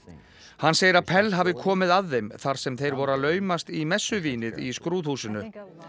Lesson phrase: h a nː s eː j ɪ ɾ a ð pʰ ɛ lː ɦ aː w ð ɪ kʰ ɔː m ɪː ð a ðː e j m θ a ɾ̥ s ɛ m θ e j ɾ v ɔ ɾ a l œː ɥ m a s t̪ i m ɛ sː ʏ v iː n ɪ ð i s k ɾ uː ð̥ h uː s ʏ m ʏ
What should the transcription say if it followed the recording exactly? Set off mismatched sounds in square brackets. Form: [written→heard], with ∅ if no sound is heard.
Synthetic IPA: h a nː s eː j ɪ ɾ a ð pʰ ɛ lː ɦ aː [w→v] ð ɪ kʰ ɔː m [ɪː→ɪ] ð a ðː e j m θ a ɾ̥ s ɛ m θ e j ɾ v ɔ ɾ a l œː ɥ m a s t̪ i m ɛ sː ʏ v iː n ɪ ð i s k ɾ uː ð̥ h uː s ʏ [m→n] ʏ